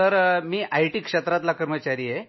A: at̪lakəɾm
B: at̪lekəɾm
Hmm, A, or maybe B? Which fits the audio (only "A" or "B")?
A